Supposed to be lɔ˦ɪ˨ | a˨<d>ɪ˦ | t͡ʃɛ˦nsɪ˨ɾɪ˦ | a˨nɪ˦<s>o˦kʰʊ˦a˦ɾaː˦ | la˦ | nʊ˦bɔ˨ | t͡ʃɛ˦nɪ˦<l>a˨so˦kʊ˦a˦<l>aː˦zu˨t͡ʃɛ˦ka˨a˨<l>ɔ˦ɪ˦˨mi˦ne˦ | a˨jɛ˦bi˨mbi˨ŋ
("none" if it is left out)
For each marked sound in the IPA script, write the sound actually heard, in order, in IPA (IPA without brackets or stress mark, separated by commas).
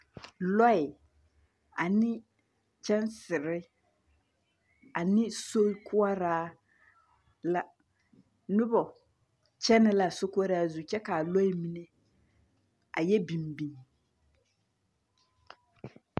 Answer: n, s, l, ɾ, l